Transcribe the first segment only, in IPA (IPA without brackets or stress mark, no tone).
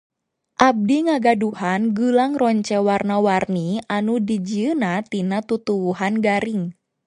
ʔ